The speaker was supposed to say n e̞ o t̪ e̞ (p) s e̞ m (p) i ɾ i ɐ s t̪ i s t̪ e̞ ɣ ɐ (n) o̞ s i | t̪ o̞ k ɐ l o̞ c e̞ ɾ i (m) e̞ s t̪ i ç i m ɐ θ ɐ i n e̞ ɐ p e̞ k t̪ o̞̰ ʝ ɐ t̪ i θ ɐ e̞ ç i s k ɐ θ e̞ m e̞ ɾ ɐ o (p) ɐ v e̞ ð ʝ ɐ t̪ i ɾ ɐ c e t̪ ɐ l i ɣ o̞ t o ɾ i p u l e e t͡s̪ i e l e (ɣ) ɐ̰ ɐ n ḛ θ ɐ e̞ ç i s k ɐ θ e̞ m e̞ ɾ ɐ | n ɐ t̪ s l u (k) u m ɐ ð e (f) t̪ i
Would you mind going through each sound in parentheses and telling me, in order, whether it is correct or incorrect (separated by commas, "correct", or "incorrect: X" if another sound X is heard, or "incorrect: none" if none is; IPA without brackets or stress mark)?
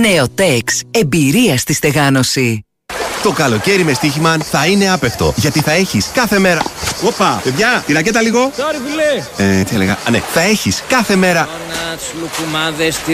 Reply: incorrect: k, incorrect: b, correct, correct, correct, correct, correct, incorrect: s